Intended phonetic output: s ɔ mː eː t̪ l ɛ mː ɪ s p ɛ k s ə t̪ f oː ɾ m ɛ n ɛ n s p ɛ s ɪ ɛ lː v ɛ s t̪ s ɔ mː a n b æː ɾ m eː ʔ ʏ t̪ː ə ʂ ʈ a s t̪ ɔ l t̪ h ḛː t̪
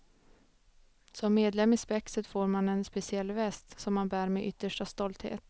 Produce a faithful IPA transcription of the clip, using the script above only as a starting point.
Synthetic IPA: s ɔ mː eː d̪ l ɛ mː ɪ s p ɛ k s ə t̪ f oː ɾ m a n ɛ n s p ɛ s ɪ ɛ lː v ɛ s t̪ s ɔ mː a n b æː ɾ m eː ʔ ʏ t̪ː ə ʂ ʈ a s t̪ ɔ l t̪ h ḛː t̪